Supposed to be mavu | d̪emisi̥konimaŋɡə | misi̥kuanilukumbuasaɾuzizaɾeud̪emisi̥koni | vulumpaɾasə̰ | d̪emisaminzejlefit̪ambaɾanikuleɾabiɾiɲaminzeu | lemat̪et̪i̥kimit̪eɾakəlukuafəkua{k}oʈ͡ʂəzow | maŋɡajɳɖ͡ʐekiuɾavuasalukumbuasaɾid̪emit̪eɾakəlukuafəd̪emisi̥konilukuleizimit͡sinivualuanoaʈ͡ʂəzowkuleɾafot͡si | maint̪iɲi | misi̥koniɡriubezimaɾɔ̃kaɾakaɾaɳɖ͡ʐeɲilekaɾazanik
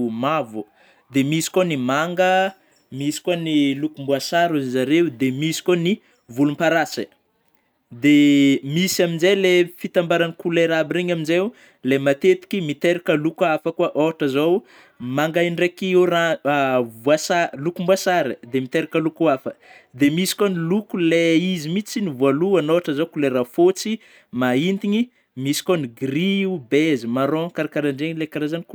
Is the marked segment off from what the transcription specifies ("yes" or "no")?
yes